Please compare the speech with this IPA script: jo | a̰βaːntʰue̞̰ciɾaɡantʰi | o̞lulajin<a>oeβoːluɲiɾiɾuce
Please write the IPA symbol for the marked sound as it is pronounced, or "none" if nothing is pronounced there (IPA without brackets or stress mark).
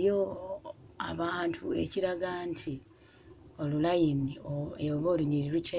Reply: i